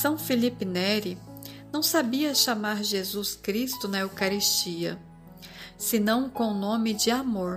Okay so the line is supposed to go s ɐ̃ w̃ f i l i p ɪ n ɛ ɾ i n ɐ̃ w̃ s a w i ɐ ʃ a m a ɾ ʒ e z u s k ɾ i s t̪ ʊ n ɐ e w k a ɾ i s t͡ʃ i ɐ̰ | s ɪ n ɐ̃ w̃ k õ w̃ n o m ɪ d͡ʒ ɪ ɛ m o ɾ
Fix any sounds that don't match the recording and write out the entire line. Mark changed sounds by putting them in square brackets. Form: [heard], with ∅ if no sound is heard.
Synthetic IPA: s ɐ̃ w̃ f i l i p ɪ n ɛ ɾ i n ɐ̃ w̃ s a [b] i ɐ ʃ a m a ɾ ʒ e z u s k ɾ i s t̪ ʊ n ɐ e w k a ɾ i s t͡ʃ i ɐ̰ | s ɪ n ɐ̃ w̃ k õ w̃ n [õ] m ɪ d͡ʒ ɪ [a] m o ɾ